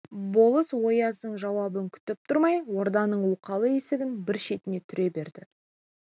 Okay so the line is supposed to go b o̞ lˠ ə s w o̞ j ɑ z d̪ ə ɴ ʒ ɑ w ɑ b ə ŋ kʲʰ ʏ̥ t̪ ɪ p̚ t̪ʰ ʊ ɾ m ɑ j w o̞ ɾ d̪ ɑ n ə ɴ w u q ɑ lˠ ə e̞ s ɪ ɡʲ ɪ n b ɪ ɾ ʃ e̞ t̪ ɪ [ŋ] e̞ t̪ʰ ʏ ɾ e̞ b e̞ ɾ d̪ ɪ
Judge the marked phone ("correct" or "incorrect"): incorrect